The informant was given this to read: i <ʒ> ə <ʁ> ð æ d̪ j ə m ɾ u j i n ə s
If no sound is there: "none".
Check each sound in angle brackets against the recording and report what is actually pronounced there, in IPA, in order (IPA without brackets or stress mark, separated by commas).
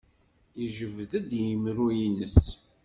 ʒ, v